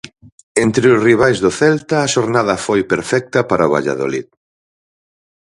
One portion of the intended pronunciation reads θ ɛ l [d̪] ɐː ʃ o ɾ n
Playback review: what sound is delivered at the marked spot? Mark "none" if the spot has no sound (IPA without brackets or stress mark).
t̪